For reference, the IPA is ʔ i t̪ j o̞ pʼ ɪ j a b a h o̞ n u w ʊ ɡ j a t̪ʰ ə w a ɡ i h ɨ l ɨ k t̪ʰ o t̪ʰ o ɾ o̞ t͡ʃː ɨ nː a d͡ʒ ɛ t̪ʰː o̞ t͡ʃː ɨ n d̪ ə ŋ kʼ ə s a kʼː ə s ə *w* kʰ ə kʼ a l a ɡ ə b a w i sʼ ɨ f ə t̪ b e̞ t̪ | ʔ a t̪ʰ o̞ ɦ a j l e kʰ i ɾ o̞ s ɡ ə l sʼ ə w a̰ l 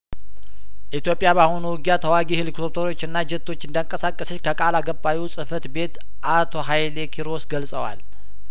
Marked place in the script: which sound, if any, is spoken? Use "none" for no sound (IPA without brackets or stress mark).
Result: none